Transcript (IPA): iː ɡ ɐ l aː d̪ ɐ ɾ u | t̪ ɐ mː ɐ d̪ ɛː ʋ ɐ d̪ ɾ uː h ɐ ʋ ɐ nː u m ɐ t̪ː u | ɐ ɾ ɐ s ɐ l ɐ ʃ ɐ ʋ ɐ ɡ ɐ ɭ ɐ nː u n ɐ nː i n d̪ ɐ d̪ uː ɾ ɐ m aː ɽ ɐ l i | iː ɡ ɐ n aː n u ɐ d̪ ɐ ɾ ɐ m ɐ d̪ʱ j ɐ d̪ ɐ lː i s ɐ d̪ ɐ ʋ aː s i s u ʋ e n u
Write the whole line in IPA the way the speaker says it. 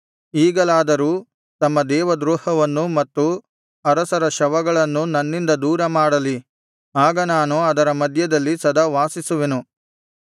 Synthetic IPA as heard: iː ɡ ɐ l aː d̪ ɐ ɾ uː | t̪ ɐ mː ɐ d̪ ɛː ʋ ɐ d̪ ɾ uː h ɐ ʋ ɐ nː u m ɐ t̪ː u | ɐ ɾ ɐ s ɐ ɾ ɐ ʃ ɐ ʋ ɐ ɡ ɐ ɭ ɐ nː u n ɐ nː i n d̪ ɐ d̪ uː ɾ ɐ m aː ɽ ɐ l i | aː ɡ ɐ n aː n u ɐ d̪ ɐ ɾ ɐ m ɐ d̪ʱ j ɐ d̪ ɐ lː i s ɐ d̪ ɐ ʋ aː s i s u ʋ e n u

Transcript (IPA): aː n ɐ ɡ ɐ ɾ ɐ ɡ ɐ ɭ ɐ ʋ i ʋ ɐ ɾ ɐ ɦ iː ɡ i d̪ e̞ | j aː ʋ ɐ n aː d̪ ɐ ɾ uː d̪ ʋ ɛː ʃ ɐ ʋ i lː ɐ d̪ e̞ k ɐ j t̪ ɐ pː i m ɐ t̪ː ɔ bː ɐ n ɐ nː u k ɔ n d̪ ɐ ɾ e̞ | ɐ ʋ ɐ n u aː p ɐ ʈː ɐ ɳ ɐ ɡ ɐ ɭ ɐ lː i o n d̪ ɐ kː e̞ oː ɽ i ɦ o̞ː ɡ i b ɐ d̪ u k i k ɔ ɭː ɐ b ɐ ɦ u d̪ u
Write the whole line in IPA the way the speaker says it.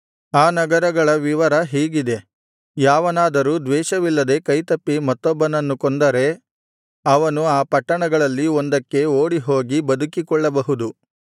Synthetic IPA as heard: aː n ɐ ɡ ɐ ɾ ɐ ɡ ɐ ɭ ɐ ʋ i ʋ ɐ ɾ ɐ ɦ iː ɡ i d̪ e̞ | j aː ʋ ɐ n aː d̪ ɐ ɾ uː d̪ ʋ ɛː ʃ ɐ ʋ i lː ɐ d̪ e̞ k ɐ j t̪ ɐ pː i m ɐ t̪ː ɔ bː ɐ n ɐ nː u k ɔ n d̪ ɐ ɾ e̞ | ɐ ʋ ɐ n u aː p ɐ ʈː ɐ ɳ ɐ ɡ ɐ ɭ ɐ lː i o n d̪ ɐ kː e̞ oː ɽ i ɦ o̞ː ɡ i b ɐ d̪ u k i k ɔ ɭː ɐ b ɐ ɦ u d̪ u

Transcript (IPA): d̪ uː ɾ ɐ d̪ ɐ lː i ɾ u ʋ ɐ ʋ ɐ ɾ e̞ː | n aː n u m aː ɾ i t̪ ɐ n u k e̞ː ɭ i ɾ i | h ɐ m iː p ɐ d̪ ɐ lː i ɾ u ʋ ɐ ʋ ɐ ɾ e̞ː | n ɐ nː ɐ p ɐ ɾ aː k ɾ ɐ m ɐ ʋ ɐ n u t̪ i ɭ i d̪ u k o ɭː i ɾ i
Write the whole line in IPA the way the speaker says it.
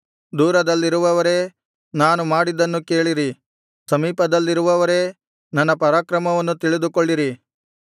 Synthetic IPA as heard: d̪ uː ɾ ɐ d̪ ɐ lː i ɾ u ʋ ɐ ʋ ɐ ɾ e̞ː | n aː n u m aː ɽ i d̪ ɐ nː u k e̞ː ɭ i ɾ i | s ɐ m iː p ɐ d̪ ɐ lː i ɾ u ʋ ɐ ʋ ɐ ɾ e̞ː | n ɐ nː ɐ p ɐ ɾ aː k ɾ ɐ m ɐ ʋ ɐ nː u t̪ i ɭ i d̪ u k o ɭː i ɾ i

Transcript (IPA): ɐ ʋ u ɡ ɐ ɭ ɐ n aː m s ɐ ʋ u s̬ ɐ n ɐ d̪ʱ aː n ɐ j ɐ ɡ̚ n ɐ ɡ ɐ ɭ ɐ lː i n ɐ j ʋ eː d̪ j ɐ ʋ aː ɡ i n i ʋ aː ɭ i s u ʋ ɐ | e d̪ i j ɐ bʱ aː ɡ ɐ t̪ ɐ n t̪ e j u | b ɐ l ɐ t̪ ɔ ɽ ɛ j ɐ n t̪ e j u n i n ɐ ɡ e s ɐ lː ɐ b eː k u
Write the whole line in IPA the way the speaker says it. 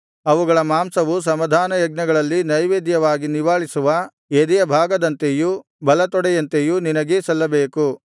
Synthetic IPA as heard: ɐ ʋ u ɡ ɐ ɭ ɐ m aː m s ɐ ʋ u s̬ ɐ m ɐ d̪ʱ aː n ɐ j ɐ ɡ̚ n ɐ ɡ ɐ ɭ ɐ lː i n ɐ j ʋ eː d̪ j ɐ ʋ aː ɡ i n i ʋ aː ɭ i s u ʋ ɐ | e d̪ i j ɐ bʱ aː ɡ ɐ d̪ ɐ n t̪ e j u | b ɐ l ɐ t̪ ɔ ɽ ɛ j ɐ n t̪ e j u n i n ɐ ɡ e s ɐ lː ɐ b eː k u

